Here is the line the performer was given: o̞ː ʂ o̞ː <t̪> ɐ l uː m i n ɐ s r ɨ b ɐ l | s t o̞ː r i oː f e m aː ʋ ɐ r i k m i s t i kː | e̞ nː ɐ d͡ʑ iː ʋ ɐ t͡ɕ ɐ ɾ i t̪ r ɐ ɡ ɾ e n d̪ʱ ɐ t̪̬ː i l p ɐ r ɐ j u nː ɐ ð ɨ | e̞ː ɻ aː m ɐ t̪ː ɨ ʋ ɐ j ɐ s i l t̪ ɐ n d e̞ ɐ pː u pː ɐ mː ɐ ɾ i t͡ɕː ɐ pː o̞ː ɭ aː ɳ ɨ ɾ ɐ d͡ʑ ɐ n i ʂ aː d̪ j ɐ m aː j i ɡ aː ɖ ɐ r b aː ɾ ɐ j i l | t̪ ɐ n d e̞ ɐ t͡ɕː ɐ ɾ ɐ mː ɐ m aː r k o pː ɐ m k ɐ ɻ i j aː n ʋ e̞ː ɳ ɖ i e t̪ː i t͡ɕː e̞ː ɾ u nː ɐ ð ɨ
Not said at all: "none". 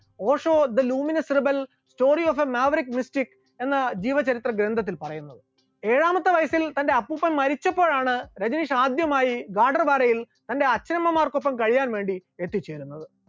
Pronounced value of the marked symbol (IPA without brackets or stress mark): d̪